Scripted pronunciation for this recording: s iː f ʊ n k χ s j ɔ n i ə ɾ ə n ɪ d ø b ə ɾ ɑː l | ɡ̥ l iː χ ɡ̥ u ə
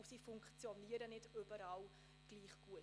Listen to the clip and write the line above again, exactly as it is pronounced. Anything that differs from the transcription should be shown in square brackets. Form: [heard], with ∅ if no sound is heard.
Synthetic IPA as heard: s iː f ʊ [ŋ] k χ [t͡s] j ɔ n i ə ɾ ə n ɪ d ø b ə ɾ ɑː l | ɡ̥ l iː χ ɡ̥ u ə

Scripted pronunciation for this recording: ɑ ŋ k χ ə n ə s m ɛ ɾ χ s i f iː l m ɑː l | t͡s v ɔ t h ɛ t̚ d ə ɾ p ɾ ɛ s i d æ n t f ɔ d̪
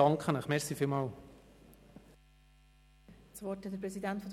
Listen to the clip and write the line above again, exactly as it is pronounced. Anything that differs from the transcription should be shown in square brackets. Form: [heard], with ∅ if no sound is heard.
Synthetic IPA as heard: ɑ ŋ k χ ə n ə [χ] m ɛ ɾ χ s i f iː l m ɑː l | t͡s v ɔ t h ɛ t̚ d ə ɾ p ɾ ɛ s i d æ n t f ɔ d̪

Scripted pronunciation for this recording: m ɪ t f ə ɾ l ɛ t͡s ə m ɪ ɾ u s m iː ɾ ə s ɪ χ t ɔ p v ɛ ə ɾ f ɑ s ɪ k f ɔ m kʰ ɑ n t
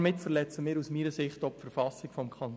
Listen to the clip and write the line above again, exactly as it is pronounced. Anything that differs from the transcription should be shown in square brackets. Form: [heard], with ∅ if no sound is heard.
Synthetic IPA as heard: m ɪ t f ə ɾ l ɛ t͡s ə m [ɪː] ɾ u s m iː ɾ ə s ɪ χ t ɔ p [f] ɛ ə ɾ f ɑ s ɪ k f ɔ m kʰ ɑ n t

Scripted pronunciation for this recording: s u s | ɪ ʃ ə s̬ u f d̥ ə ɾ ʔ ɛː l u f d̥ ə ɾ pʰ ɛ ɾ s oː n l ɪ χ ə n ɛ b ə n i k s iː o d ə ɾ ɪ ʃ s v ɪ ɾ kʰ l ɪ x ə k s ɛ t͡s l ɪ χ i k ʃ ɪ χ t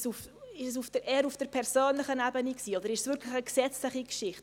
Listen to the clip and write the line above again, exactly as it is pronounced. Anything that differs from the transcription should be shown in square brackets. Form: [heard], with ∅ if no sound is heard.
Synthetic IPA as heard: s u [f] | ɪ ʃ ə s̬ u f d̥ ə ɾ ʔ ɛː [ɾ] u f d̥ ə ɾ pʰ ɛ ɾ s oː n l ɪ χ ə n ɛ b ə n i k s iː o d ə ɾ ɪ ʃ s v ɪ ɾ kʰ l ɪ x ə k s ɛ t͡s l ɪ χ i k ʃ ɪ χ t

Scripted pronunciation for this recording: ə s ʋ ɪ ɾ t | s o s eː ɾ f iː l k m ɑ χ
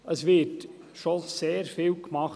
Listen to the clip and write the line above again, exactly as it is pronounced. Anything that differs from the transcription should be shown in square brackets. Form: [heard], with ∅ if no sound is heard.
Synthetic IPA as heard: ə s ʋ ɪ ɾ t | [ʃ] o s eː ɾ f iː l k m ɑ χ

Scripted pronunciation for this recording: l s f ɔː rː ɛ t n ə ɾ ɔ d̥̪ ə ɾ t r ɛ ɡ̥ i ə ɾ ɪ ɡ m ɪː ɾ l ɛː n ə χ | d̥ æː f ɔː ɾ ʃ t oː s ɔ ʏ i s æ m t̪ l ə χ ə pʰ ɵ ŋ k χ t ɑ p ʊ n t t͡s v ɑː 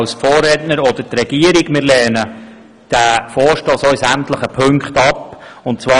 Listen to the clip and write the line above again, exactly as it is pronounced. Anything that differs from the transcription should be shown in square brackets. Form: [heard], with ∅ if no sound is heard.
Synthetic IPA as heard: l s f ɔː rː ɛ t n ə ɾ ɔ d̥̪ ə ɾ t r ɛ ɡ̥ i ə ɾ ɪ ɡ m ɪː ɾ l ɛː n ə [∅] | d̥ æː f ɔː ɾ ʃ t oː s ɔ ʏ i s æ m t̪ l ə χ ə pʰ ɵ ŋ k χ t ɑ p ʊ n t t͡s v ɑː

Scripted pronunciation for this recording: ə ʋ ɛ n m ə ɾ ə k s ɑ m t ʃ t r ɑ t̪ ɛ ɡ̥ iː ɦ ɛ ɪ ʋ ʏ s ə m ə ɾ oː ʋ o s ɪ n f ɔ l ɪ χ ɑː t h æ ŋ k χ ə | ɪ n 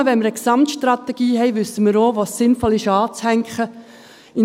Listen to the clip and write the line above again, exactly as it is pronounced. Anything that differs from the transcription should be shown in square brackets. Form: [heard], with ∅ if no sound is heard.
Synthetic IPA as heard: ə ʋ ɛ n m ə ɾ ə k s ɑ m t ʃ t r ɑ t̪ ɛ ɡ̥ iː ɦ ɛ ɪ ʋ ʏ s ə m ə ɾ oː ʋ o s ɪ n f ɔ l ɪ [ʃ] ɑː [t͡s] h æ ŋ k χ ə | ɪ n

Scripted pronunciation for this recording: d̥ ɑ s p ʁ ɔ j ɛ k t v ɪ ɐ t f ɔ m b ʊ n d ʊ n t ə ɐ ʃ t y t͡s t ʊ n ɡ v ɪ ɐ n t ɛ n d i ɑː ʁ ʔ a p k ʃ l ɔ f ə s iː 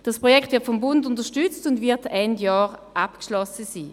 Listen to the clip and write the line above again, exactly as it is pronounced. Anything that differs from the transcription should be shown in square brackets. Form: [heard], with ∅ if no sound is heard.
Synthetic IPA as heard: d̥ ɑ s p ʁ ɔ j ɛ k t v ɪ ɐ t f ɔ m b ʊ n d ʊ n t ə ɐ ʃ t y t͡s t ʊ n [d] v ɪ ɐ [∅] t ɛ n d [j] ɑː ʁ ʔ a p k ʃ l ɔ [s] ə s iː

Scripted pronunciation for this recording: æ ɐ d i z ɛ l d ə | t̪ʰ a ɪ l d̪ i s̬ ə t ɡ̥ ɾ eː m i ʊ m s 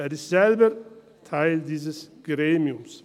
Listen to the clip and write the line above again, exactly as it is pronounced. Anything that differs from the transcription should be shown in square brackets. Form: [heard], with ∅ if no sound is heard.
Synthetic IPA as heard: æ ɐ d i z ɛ l [b] ə | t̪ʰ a ɪ l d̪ [iː] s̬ ə [s] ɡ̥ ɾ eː m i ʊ m s

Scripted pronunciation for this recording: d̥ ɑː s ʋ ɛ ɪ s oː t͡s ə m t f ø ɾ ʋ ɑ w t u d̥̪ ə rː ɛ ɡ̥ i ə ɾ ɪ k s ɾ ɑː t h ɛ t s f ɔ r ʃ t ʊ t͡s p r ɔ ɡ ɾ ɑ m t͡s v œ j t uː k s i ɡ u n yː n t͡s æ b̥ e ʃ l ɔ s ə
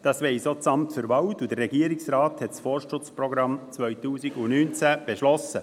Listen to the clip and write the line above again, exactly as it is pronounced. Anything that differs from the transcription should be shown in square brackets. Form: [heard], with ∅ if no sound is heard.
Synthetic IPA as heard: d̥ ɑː s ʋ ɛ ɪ s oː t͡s [ɑ] m t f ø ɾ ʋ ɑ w t u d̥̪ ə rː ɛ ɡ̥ i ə ɾ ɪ k s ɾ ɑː t h ɛ t s f ɔ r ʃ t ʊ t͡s p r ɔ ɡ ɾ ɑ m t͡s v œ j t uː [∅] s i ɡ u n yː n t͡s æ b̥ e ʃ l ɔ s ə

